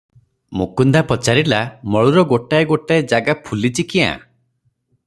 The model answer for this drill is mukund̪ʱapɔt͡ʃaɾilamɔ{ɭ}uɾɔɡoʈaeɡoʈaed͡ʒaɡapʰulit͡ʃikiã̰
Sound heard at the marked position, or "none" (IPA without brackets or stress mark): ɭ